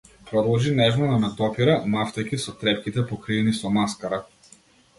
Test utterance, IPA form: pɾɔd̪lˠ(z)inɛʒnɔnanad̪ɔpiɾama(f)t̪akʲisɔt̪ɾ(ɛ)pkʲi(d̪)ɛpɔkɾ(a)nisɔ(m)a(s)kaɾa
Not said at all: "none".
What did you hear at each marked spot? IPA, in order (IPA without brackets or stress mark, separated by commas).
ʒ, f, ɛ, t̪, i, m, s